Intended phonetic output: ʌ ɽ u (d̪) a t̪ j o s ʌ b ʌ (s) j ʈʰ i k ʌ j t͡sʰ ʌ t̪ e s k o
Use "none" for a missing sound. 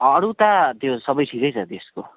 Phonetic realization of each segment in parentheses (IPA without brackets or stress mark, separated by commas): t̪, none